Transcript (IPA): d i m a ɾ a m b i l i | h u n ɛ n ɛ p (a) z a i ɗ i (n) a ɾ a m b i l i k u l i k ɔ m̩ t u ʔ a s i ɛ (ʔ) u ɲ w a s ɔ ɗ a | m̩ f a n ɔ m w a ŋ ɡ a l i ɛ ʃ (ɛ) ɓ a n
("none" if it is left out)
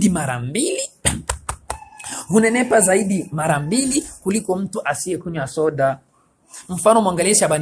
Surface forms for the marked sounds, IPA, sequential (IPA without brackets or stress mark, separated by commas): a, m, k, a